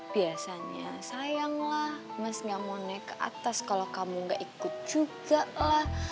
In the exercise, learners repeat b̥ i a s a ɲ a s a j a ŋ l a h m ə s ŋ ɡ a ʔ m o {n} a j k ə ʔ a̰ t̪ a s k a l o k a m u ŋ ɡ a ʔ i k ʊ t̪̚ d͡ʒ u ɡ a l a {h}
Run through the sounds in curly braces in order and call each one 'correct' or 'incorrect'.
correct, correct

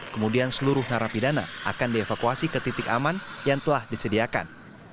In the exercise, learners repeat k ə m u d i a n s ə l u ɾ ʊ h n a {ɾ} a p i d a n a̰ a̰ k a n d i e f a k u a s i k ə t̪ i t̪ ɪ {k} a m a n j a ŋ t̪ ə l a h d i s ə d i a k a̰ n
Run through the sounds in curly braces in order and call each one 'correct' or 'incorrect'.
correct, correct

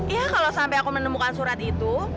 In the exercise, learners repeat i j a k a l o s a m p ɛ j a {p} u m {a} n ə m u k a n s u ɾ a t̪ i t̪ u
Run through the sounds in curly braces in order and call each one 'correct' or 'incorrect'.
incorrect, incorrect

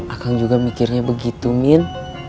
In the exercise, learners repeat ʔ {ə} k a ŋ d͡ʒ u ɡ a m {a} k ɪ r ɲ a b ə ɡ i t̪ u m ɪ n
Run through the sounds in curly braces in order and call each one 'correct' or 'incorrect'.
incorrect, incorrect

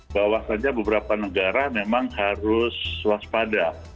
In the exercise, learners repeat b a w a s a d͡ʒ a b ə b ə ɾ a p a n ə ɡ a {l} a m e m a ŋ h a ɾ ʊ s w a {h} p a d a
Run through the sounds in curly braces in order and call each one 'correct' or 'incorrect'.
incorrect, incorrect

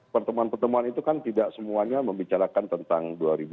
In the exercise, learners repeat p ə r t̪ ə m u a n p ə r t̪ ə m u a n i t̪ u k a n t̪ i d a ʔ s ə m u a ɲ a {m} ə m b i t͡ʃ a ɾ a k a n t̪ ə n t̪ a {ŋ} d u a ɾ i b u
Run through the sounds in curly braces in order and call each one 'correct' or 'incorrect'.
correct, correct

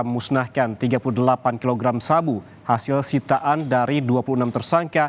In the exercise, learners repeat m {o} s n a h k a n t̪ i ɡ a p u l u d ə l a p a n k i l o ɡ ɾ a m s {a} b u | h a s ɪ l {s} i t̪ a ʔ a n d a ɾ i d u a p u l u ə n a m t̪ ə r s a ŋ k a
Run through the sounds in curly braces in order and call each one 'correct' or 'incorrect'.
incorrect, correct, correct

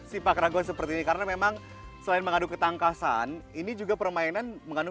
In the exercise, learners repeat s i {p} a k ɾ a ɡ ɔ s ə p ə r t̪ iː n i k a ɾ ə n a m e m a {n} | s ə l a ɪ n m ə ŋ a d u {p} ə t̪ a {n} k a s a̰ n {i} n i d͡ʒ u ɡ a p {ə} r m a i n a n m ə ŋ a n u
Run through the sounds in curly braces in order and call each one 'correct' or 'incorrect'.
correct, incorrect, incorrect, incorrect, correct, correct

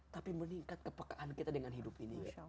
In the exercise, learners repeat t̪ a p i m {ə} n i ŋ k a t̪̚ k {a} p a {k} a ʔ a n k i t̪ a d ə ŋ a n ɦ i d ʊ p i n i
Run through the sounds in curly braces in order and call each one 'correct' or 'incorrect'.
correct, incorrect, correct

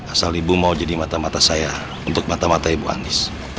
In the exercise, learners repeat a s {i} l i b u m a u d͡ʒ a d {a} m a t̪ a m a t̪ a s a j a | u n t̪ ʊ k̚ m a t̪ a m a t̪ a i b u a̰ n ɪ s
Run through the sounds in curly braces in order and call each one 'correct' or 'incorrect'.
incorrect, incorrect

